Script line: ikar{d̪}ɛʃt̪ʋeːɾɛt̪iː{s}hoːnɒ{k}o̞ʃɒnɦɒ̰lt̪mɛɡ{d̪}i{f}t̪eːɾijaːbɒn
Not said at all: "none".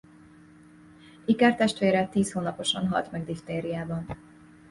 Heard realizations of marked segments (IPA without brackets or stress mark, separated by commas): t̪, s, p, d̪, f